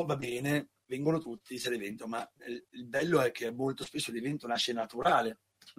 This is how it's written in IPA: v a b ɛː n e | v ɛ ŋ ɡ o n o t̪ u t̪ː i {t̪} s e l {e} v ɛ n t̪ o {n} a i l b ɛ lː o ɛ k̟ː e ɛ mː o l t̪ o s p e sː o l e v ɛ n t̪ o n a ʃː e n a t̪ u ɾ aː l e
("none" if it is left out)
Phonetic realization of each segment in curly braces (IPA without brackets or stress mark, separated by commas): none, e, m